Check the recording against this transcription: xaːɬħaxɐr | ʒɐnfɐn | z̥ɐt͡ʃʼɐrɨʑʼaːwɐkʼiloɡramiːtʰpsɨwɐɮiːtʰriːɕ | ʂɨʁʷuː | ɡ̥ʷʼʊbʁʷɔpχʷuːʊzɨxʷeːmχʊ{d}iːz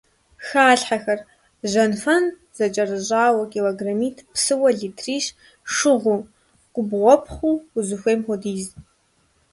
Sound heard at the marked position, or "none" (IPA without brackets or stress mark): d